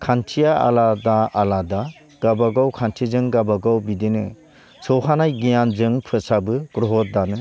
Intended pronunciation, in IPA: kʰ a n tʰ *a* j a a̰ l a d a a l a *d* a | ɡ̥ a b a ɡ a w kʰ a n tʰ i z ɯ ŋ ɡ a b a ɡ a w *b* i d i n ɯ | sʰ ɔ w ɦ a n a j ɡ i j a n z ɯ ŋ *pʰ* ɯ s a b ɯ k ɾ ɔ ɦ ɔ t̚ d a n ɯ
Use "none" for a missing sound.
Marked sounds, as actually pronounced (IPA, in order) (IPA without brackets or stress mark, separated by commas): i, d, b, pʰ